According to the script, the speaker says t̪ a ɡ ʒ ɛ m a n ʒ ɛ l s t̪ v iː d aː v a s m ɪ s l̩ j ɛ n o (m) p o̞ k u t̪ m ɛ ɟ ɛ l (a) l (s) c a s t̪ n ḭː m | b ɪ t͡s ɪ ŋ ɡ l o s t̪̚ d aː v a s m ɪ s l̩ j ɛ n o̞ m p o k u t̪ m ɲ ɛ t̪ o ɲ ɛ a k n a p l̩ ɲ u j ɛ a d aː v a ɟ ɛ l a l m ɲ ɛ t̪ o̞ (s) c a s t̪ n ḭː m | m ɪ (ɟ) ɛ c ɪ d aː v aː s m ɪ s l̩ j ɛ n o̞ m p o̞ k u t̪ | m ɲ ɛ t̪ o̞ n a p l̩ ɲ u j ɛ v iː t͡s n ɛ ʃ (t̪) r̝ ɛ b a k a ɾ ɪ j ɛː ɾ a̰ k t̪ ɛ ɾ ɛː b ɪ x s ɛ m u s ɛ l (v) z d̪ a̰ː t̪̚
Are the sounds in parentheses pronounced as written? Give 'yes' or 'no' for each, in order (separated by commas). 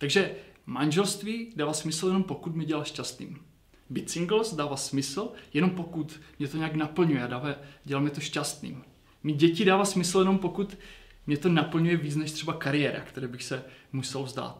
yes, yes, no, no, yes, yes, yes